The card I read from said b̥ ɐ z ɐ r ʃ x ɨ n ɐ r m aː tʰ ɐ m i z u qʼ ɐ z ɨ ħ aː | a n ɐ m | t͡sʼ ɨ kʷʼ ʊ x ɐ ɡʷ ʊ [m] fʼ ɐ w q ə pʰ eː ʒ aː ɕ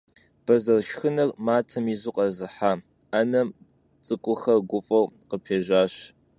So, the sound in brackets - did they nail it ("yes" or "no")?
no